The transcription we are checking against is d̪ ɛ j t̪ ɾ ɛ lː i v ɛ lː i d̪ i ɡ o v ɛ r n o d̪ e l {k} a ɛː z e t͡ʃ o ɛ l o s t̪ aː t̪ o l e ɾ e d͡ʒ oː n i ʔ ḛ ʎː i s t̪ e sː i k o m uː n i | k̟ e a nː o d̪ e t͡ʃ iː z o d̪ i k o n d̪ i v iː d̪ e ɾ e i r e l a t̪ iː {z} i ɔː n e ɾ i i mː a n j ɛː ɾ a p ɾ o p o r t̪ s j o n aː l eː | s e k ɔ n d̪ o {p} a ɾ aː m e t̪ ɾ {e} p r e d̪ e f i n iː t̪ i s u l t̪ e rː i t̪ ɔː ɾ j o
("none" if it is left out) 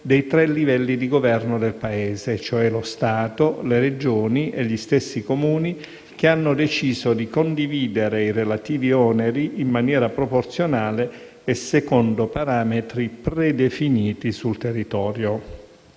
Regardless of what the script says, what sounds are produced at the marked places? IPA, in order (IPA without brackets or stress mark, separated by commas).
p, v, p, i